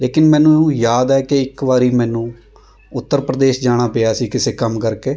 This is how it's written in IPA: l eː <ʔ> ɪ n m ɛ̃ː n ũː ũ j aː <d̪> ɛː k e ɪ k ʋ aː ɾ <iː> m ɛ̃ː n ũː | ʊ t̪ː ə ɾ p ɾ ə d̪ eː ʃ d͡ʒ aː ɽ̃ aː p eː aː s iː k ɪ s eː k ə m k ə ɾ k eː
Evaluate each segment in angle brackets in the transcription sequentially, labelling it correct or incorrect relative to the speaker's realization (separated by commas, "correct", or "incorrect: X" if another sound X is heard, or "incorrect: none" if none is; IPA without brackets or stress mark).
incorrect: k, correct, correct